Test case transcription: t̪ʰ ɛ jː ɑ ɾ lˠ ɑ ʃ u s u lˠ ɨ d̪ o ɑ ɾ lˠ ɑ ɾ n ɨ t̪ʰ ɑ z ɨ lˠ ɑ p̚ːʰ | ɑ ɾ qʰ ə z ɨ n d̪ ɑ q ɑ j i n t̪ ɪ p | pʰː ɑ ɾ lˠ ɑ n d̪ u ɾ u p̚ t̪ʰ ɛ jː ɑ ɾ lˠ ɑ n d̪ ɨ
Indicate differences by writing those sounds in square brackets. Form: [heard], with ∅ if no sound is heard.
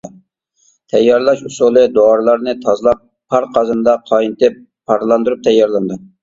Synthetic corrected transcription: t̪ʰ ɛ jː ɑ ɾ lˠ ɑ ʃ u s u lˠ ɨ d̪ o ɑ ɾ lˠ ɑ ɾ n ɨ t̪ʰ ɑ z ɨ lˠ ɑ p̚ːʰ | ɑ ɾ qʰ [ɑ] z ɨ n d̪ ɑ [qʰ] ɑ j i n t̪ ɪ p | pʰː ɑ ɾ lˠ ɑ n d̪ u ɾ u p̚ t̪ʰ ɛ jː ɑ ɾ lˠ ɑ n d̪ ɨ